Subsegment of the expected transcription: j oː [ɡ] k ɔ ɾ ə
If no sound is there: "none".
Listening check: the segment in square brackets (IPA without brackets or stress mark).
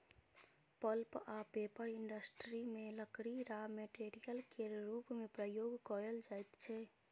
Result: ɡ